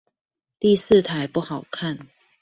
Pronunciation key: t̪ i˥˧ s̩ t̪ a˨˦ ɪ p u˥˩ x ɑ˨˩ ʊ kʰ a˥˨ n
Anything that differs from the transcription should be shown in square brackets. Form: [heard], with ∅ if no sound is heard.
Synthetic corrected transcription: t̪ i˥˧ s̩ [t̪ʰ] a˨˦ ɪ p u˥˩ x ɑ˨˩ ʊ kʰ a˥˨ n